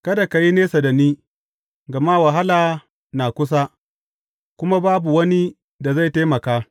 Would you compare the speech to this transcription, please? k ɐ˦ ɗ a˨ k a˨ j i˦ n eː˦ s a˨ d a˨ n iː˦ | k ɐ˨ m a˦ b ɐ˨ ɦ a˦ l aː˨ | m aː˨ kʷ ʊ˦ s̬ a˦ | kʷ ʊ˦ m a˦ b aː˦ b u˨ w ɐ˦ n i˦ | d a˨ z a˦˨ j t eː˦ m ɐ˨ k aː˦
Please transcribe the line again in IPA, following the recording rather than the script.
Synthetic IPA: k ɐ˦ d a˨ k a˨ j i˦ n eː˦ s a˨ d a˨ n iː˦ | ɡ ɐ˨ m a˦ w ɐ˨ ɦ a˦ l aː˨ | n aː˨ kʷ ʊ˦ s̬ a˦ | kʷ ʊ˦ m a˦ b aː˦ b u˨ w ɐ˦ n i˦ | d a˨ z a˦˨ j t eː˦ m ɐ˨ k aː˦